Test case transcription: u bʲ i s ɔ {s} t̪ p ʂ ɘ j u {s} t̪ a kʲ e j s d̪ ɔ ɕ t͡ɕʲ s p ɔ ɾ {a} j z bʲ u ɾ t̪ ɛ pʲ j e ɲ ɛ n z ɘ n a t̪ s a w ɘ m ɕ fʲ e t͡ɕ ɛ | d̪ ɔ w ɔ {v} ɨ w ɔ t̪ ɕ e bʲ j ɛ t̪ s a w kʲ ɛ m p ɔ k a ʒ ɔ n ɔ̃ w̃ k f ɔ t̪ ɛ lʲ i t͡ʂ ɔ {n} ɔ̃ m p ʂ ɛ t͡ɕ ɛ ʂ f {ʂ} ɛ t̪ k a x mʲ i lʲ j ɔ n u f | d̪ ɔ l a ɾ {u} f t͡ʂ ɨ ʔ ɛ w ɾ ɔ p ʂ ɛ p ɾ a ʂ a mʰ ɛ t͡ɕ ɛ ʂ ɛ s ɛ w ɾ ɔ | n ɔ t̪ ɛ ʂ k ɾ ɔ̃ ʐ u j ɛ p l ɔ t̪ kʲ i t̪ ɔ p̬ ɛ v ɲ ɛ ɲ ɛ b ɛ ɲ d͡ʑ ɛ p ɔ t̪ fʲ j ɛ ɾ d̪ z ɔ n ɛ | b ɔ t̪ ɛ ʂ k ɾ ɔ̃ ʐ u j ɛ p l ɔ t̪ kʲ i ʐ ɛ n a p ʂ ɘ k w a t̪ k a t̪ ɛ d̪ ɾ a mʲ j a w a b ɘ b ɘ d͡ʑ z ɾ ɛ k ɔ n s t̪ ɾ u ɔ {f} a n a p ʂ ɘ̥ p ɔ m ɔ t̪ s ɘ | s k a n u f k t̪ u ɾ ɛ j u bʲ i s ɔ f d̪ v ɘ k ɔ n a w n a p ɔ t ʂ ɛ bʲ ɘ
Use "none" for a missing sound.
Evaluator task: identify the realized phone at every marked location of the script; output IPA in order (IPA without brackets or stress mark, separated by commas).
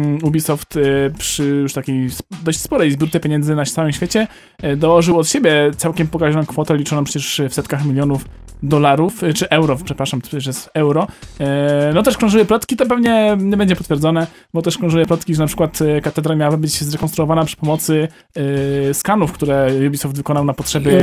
f, ʂ, ɛ, ʐ, n, s, u, v